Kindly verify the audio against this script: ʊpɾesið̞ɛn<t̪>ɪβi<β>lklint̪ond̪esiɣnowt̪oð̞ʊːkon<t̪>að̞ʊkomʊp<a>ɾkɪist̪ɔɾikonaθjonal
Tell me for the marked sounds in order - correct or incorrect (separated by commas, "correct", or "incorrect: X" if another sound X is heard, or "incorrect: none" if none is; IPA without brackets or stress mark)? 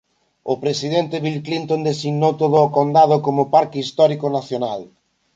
correct, incorrect: none, incorrect: d̪, correct